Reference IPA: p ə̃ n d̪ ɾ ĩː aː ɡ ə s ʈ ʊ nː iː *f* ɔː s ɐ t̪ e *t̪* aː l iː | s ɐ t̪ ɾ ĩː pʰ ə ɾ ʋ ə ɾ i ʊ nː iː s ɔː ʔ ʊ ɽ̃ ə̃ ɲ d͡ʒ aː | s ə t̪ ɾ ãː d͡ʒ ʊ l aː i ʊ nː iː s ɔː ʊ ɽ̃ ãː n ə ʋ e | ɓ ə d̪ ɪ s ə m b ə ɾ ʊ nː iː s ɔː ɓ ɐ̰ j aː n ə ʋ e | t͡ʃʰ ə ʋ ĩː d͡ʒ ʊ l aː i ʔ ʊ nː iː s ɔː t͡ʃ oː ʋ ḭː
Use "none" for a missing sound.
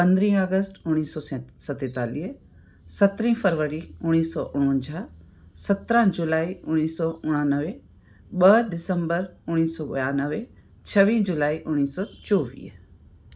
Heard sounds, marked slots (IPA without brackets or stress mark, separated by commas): s, t̪